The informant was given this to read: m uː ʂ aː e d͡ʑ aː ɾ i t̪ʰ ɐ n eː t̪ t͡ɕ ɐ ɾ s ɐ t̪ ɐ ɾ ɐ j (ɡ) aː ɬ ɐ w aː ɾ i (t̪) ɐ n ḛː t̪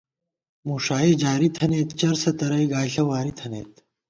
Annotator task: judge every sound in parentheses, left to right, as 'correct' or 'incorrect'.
correct, incorrect: t̪ʰ

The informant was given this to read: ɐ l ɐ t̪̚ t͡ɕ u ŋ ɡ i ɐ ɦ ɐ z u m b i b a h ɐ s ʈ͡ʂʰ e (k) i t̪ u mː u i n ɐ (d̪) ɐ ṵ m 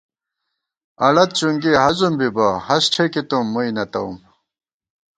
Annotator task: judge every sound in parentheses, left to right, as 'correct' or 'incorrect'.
correct, incorrect: t̪

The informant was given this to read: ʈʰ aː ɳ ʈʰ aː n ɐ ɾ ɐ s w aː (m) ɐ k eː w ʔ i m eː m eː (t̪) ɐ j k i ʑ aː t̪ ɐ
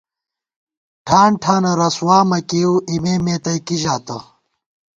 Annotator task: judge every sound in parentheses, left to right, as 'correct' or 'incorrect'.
correct, correct

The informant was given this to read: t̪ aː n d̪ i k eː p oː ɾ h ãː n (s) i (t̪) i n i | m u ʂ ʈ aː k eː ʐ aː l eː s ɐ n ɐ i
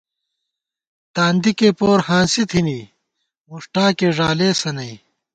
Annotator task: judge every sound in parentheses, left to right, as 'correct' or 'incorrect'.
correct, incorrect: t̪ʰ

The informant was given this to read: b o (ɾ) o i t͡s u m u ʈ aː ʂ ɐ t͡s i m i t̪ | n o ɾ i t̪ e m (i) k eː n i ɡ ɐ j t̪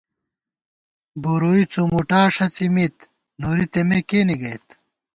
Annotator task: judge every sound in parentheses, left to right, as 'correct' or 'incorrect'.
correct, incorrect: e

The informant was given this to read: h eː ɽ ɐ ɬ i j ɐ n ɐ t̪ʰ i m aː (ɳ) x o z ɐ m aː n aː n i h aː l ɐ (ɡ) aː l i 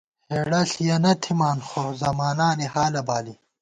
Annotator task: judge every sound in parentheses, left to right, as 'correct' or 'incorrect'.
incorrect: n, incorrect: b

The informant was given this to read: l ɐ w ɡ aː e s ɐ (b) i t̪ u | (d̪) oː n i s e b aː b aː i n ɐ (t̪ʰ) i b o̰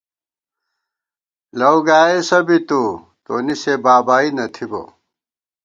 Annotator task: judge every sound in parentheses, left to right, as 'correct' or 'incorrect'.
correct, incorrect: t̪, correct

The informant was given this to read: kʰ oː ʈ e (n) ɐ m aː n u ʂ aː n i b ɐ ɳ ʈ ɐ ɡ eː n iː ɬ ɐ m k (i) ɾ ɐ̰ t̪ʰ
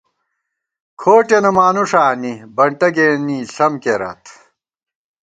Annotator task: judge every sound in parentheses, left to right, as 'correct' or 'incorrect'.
correct, incorrect: e

